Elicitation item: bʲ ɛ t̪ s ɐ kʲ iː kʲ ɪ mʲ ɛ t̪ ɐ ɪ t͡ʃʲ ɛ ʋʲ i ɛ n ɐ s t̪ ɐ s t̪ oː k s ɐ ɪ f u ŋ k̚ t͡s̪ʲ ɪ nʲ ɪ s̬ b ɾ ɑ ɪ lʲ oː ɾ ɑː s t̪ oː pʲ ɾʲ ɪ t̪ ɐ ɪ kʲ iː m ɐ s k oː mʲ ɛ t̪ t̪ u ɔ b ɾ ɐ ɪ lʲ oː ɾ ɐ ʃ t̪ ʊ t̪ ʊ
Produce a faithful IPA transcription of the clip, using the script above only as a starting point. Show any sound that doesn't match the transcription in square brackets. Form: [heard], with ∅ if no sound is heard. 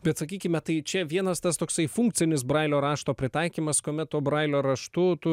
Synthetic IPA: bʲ ɛ t̪ s ɐ kʲ iː kʲ ɪ mʲ ɛ t̪ ɐ ɪ t͡ʃʲ ɛ ʋʲ i ɛ n ɐ s t̪ ɐ s t̪ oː k s ɐ ɪ f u ŋ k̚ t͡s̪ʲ ɪ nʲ ɪ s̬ b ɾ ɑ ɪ lʲ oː ɾ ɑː [ʃ] t̪ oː pʲ ɾʲ ɪ t̪ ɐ ɪ kʲ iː m ɐ s k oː mʲ ɛ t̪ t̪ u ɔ b ɾ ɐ ɪ lʲ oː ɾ ɐ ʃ t̪ ʊ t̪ ʊ